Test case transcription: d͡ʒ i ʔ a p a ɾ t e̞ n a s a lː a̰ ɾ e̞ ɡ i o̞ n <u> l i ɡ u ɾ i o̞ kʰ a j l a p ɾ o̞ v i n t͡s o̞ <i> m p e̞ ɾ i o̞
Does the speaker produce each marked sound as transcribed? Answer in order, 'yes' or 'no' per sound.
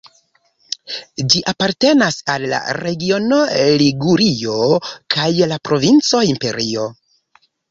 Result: no, yes

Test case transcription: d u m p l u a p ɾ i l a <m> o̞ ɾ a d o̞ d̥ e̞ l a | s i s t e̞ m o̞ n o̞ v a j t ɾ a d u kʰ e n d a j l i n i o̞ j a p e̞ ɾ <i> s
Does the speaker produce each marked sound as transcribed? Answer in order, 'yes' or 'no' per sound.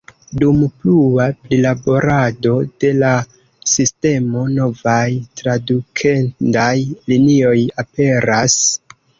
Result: no, no

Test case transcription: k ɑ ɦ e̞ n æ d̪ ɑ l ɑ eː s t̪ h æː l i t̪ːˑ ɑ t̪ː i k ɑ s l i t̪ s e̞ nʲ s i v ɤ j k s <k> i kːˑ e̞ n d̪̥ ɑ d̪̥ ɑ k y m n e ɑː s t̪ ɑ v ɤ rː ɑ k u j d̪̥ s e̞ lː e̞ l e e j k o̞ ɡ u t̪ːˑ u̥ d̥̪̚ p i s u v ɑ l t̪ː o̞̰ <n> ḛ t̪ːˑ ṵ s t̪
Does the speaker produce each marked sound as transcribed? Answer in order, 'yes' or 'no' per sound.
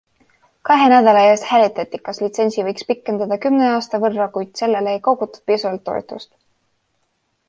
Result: no, no

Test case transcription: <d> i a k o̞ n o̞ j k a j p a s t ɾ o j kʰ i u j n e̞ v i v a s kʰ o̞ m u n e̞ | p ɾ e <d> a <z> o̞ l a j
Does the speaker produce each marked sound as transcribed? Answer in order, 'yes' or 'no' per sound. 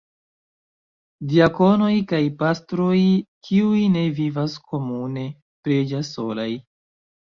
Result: yes, no, no

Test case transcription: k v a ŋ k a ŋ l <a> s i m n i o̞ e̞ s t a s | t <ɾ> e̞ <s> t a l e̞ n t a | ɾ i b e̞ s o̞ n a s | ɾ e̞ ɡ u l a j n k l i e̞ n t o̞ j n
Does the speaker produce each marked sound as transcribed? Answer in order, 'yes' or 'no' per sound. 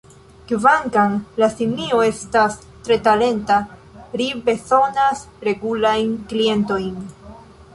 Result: yes, yes, no

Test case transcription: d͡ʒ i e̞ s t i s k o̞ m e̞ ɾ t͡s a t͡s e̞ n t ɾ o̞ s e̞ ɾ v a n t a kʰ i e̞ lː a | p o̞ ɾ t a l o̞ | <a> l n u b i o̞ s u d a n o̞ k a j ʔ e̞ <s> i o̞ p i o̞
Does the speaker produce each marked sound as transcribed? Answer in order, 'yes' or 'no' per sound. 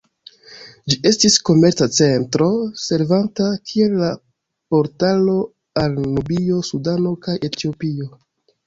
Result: yes, no

